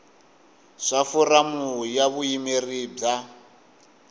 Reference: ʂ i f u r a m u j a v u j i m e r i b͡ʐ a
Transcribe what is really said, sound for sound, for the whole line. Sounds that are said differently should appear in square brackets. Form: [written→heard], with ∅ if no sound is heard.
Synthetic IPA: ʂ [i→a] f u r a m u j a [v→β] u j i m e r i b͡ʐ a